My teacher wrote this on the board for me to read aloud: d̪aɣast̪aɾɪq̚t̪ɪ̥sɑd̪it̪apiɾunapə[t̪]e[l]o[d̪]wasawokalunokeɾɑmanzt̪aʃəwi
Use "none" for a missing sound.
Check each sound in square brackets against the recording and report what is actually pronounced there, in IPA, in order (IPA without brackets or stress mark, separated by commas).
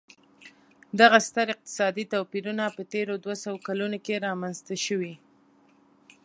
t̪, ɾ, d̪